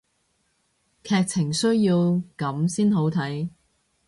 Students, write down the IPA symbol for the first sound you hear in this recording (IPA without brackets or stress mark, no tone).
kʰ